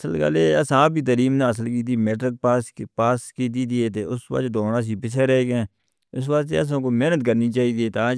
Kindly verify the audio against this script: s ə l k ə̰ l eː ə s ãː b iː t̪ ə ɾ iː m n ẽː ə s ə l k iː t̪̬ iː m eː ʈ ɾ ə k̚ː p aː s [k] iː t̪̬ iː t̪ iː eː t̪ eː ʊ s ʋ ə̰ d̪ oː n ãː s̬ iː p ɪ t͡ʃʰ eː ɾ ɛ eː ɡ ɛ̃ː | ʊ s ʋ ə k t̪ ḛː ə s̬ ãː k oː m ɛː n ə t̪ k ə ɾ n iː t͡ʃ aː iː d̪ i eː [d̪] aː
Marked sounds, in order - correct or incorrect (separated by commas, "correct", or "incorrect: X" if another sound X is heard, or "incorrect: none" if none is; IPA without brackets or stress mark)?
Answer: correct, incorrect: t̪